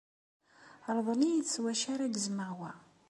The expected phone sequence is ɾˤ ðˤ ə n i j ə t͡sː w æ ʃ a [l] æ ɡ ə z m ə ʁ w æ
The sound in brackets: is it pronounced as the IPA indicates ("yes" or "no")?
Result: no